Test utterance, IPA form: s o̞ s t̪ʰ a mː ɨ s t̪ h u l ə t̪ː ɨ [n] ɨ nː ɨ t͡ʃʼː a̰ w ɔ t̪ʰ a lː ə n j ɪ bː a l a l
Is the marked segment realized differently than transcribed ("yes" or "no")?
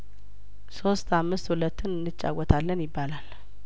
no